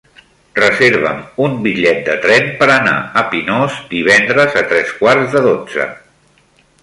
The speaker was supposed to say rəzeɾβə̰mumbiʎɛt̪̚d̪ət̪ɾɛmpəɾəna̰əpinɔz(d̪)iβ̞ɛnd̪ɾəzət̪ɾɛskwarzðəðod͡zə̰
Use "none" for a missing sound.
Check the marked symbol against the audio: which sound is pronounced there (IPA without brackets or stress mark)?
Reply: d̪